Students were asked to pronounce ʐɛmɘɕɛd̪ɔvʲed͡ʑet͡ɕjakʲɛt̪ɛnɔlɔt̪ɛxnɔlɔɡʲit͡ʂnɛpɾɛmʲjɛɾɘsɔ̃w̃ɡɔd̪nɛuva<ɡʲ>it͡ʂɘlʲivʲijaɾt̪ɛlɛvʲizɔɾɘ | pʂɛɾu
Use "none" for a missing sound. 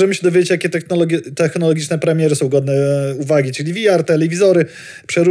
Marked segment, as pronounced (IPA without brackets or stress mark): ɡʲ